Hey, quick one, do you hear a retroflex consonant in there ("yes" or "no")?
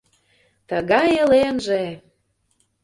no